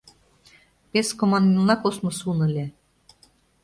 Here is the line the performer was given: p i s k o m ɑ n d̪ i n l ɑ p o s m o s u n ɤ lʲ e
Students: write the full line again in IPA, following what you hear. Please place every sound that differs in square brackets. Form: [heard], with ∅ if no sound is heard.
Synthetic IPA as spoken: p [e] s k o m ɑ n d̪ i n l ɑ [k] o s m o s u n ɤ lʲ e